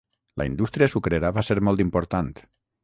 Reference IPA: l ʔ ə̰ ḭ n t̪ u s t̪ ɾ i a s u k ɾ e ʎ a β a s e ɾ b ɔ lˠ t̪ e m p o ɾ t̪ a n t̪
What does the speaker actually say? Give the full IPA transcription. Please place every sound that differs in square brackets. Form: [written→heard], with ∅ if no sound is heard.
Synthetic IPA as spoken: l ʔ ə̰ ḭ n [t̪→d̪] u s t̪ ɾ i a s u k ɾ e [ʎ→ɾ] a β a s e ɾ [b→m] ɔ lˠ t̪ [e→i] m p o ɾ t̪ a n t̪

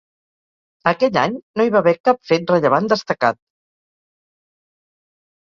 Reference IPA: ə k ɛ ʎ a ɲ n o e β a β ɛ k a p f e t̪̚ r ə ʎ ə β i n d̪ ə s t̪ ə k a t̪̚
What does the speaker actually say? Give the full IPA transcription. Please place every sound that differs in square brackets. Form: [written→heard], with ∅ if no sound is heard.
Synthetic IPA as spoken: ə k ɛ ʎ a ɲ n o [e→i] β a β ɛ k a p f e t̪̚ r ə ʎ ə β [i→a] n d̪ ə s t̪ ə k a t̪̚

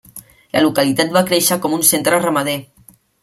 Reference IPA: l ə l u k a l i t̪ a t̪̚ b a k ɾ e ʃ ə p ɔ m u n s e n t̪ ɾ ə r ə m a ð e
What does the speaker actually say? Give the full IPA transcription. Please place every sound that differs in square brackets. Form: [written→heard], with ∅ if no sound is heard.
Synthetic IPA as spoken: l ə l u k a l i t̪ a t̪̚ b a k ɾ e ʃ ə [p→k] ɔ m u n s e n t̪ ɾ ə r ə m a ð e

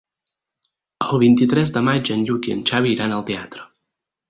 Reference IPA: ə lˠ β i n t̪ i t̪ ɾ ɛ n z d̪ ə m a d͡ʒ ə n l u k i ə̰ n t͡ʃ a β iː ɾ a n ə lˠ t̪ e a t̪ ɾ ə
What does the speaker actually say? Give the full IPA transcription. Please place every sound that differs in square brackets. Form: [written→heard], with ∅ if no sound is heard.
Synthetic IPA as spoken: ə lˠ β i n t̪ i t̪ ɾ ɛ [n→∅] z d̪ ə m a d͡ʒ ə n [l→ʎ] u k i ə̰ n t͡ʃ a β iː ɾ a n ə lˠ t̪ e a t̪ ɾ ə

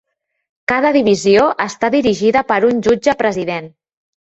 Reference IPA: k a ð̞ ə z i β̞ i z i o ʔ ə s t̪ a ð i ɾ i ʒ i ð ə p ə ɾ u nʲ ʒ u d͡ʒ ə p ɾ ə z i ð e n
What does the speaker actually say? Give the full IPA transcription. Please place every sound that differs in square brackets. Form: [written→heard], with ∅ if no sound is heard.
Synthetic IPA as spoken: k a ð̞ ə [z→ð] i β̞ i z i o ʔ ə s t̪ a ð i ɾ i ʒ i ð ə p ə ɾ u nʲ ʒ u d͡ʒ ə p ɾ ə z i ð e n

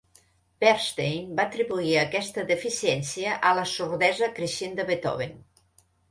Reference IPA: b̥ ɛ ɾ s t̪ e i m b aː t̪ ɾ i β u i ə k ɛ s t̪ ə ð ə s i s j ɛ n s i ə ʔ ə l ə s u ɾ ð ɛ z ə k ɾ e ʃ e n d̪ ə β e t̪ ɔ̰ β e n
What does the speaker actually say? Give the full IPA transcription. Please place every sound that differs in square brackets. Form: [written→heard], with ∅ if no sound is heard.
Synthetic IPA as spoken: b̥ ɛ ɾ s t̪ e [i→j] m b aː t̪ ɾ i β u i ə k ɛ s t̪ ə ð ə [s→f] i s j ɛ n s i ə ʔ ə l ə s u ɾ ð ɛ z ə k ɾ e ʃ e n d̪ ə β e t̪ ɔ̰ β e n

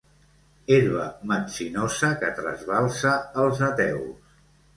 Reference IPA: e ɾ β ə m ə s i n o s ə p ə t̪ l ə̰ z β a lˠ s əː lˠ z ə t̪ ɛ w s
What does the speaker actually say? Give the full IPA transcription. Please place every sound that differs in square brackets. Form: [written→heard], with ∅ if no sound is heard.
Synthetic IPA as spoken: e ɾ β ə m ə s i n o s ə [p→k] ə t̪ [l→ɾ] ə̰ z β a lˠ s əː lˠ z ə t̪ ɛ w s

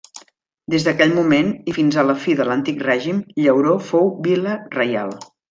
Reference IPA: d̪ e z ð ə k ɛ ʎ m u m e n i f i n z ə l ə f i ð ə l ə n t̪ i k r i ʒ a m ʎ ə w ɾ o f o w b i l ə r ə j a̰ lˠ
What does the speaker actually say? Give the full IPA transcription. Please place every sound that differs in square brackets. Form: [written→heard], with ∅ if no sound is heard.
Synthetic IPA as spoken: d̪ e z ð ə k ɛ ʎ m u m e n i f i n z ə l ə f i ð ə l ə n t̪ i k r [i→ɛ] ʒ [a→i] m ʎ ə w ɾ o f o w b i l ə r ə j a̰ lˠ

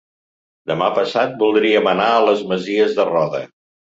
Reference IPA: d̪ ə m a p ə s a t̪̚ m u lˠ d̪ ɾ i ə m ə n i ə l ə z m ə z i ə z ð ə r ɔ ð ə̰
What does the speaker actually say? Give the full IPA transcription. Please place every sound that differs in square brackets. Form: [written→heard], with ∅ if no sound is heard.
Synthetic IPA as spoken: d̪ ə m a p ə s a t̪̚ [m→b] u lˠ d̪ ɾ i ə m ə n [i→a] ə l ə z m ə z i ə z ð ə r ɔ ð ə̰

